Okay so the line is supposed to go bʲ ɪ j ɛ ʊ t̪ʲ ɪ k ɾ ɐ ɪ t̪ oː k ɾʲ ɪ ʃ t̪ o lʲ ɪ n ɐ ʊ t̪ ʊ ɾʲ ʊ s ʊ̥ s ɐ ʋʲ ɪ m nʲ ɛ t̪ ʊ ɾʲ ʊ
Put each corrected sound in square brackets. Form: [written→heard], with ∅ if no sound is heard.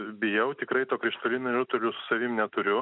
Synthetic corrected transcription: bʲ ɪ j ɛ ʊ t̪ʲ ɪ k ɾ ɐ ɪ t̪ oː k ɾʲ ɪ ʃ t̪ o lʲ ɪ n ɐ ʊ t̪ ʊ [ɾʲ→lʲ] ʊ s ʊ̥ s ɐ ʋʲ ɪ m nʲ ɛ t̪ ʊ ɾʲ ʊ